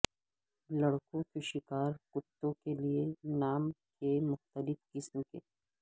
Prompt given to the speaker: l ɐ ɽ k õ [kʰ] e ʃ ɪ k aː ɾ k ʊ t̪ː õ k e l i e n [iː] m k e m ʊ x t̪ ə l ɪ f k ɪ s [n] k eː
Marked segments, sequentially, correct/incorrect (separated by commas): incorrect, incorrect, incorrect